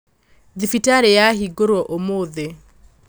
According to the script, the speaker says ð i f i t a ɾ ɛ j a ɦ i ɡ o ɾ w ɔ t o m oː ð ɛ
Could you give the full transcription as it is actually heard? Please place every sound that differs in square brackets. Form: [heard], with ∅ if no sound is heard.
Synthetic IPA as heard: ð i f i t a ɾ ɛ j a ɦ i ɡ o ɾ w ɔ [ʔ] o m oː ð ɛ